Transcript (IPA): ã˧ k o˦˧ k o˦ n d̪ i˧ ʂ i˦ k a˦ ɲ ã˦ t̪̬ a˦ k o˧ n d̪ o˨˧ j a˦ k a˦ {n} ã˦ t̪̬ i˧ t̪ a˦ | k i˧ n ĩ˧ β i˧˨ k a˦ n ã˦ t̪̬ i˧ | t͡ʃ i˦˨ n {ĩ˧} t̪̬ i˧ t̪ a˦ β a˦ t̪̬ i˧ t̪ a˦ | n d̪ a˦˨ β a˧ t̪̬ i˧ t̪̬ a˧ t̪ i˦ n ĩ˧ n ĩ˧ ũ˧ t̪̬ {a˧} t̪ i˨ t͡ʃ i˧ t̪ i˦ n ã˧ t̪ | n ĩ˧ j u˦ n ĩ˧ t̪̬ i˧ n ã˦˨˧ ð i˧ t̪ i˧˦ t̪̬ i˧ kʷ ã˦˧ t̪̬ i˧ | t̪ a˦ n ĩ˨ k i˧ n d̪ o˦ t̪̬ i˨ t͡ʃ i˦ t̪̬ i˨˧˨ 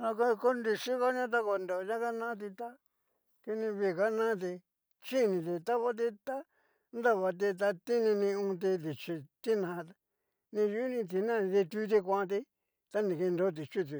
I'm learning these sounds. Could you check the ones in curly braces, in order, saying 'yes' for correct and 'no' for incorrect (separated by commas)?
yes, yes, no